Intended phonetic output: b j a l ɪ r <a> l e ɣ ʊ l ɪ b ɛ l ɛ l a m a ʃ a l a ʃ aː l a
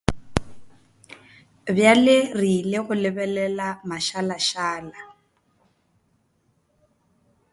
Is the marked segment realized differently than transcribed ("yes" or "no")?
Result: yes